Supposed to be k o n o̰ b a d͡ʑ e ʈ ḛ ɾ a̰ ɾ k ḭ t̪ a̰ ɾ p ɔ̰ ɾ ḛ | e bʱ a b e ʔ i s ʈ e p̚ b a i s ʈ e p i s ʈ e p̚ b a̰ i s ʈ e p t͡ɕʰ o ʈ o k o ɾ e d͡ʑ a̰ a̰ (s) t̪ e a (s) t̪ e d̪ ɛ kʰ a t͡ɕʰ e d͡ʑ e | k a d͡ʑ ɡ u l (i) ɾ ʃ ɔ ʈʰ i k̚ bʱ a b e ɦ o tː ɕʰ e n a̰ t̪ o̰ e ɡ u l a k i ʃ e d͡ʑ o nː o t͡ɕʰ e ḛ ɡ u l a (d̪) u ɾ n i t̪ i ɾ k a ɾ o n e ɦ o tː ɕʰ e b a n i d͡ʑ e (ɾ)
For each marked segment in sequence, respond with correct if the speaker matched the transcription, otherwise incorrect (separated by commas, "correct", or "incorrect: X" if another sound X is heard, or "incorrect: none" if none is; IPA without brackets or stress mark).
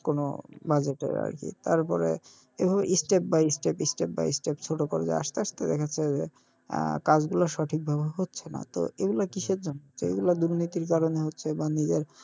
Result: incorrect: ʃ, incorrect: ʃ, incorrect: a, correct, correct